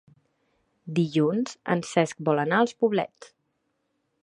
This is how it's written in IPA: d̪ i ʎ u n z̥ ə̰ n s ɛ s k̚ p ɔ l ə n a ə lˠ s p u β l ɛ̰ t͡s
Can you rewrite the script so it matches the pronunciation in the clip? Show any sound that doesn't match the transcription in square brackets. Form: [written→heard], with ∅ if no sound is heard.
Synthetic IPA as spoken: d̪ i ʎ u n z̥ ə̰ n s ɛ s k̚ [p→b] ɔ l ə n a ə lˠ s p u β l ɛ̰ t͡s